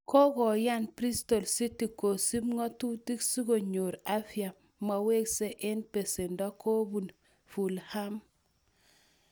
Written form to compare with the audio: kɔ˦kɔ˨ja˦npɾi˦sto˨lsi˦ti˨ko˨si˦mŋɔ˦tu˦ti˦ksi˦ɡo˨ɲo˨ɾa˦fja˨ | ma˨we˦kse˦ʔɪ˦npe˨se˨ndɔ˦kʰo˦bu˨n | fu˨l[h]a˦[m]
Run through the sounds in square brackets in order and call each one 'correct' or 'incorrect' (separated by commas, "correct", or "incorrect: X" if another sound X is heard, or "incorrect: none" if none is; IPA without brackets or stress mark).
correct, correct